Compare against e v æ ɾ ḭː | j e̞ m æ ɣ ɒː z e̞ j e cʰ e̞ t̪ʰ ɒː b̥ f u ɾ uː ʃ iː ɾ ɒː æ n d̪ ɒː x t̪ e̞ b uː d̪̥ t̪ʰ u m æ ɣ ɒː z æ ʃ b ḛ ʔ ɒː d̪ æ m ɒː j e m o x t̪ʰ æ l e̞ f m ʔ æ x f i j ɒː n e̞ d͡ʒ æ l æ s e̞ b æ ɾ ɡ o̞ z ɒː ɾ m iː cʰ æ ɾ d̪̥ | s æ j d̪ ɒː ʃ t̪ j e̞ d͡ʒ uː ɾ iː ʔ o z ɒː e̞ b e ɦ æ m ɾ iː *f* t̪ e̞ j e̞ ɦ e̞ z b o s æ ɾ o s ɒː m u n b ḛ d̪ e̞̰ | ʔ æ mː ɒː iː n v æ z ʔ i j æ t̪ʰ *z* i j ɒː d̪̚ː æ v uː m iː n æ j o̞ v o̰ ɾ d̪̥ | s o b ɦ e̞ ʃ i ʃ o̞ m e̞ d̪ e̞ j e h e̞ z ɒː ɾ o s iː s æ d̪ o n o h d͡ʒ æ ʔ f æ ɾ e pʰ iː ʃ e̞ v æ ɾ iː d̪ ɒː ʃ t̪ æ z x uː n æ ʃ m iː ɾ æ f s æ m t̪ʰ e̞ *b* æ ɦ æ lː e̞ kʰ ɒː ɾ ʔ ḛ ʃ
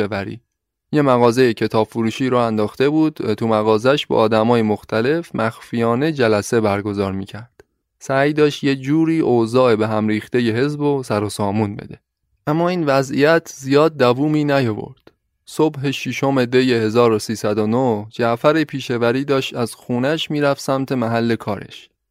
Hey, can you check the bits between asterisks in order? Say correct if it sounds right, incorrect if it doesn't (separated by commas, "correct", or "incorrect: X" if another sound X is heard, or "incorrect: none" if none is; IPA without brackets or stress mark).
incorrect: x, correct, incorrect: m